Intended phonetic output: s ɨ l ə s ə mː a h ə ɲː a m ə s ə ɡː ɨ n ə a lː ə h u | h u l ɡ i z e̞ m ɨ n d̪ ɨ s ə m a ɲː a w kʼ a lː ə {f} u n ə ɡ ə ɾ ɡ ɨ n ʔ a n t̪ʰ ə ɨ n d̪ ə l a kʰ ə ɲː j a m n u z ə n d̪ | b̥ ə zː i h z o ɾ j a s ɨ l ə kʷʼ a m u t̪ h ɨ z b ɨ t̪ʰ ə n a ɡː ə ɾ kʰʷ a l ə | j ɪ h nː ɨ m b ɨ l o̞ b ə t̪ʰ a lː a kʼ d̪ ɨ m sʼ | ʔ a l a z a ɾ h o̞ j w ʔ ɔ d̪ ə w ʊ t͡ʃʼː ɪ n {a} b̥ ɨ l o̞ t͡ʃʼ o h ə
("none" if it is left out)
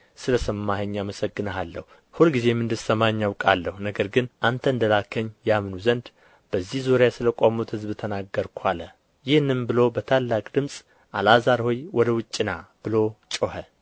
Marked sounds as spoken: h, a

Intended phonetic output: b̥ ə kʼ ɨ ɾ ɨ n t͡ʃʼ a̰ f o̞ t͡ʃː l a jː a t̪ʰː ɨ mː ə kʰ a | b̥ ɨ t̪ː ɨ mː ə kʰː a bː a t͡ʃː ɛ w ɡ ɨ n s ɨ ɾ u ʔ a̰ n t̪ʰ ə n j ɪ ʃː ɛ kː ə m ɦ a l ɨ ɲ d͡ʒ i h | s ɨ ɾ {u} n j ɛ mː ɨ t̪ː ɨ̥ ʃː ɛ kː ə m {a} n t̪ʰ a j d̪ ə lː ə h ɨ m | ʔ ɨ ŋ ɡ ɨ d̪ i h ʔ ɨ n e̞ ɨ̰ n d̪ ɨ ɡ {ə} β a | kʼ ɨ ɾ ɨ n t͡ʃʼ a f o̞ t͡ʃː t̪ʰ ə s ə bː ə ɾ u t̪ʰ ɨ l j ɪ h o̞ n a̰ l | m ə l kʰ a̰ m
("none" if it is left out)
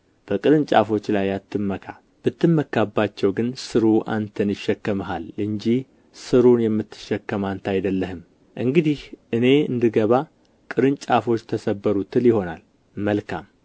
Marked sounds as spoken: u, a, ə

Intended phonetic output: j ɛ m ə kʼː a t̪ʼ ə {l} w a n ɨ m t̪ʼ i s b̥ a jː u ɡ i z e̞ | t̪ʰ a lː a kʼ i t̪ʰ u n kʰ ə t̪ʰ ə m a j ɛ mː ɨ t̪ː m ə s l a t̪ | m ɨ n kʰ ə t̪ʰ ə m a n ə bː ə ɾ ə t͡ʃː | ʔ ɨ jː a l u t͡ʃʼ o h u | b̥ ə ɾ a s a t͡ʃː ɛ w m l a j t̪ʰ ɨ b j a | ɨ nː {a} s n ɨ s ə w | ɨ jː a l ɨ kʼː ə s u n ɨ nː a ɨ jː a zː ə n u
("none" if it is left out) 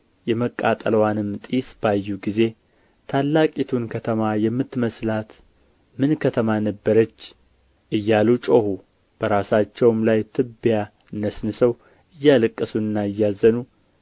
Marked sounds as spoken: l, ə

